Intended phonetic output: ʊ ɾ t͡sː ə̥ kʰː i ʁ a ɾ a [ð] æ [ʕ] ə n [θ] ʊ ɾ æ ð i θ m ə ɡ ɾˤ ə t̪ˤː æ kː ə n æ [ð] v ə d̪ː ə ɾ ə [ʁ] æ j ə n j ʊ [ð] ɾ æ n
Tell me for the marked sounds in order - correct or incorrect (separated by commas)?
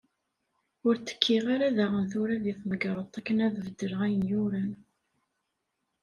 correct, incorrect, correct, correct, correct, incorrect